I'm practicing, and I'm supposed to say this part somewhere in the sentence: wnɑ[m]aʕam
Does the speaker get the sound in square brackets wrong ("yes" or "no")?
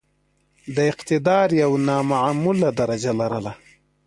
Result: no